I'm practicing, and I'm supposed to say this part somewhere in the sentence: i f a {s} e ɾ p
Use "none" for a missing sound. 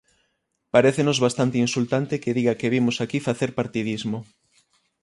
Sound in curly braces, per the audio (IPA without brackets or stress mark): θ